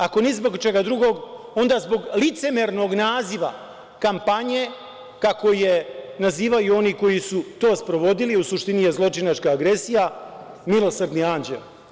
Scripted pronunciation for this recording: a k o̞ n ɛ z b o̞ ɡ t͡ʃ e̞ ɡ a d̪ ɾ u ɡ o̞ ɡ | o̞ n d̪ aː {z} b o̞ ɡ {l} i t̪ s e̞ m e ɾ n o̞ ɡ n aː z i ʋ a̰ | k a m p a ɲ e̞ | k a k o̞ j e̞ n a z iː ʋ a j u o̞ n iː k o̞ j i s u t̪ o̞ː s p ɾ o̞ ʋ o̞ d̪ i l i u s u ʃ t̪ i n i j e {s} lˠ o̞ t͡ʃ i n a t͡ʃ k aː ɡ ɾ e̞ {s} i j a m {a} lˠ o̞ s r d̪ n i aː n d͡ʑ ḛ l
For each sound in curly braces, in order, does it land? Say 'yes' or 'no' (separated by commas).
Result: yes, yes, no, yes, no